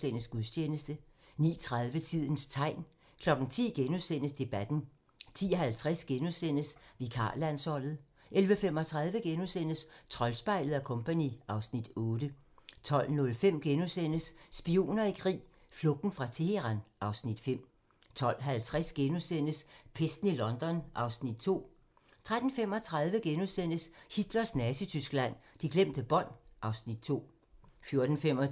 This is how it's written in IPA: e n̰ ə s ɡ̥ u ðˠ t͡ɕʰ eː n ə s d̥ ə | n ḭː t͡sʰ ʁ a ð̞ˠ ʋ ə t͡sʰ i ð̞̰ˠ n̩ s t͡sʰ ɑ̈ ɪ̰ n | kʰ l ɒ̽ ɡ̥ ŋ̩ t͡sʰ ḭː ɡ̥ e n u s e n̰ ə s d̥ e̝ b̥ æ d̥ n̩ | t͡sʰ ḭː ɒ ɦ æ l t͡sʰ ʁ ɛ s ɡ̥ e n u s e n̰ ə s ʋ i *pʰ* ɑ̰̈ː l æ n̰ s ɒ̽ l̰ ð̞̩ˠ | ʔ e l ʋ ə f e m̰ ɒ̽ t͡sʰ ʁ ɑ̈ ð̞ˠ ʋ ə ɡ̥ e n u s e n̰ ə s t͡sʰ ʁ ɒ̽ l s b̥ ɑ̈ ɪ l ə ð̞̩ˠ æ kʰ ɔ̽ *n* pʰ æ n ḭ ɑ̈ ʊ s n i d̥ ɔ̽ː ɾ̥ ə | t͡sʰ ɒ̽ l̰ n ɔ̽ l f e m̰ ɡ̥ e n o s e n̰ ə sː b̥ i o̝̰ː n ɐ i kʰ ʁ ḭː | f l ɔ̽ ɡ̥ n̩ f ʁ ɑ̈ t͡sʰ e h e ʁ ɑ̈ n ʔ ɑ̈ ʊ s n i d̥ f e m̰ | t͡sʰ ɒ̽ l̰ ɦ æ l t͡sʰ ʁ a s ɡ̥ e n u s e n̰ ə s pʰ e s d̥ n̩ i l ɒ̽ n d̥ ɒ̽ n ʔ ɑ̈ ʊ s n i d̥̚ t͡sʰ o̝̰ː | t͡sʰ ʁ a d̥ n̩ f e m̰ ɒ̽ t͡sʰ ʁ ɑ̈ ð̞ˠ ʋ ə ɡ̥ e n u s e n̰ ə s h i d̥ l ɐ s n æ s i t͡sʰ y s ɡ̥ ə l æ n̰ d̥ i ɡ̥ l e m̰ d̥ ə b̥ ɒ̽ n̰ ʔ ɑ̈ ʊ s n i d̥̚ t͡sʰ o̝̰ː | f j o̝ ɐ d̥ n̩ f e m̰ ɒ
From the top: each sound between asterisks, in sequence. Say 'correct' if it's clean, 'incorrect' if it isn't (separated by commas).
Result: incorrect, incorrect